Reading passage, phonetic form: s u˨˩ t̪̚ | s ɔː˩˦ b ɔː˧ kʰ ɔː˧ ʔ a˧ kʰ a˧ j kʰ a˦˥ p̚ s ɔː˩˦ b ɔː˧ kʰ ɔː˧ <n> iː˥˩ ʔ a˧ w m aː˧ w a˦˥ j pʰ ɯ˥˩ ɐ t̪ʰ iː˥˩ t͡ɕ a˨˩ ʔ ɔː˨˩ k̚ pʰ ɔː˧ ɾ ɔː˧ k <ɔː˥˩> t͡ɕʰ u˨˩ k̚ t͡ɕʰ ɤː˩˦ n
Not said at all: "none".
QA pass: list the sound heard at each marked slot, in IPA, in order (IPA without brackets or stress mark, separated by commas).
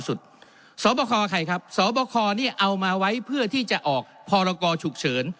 n, ɔː˧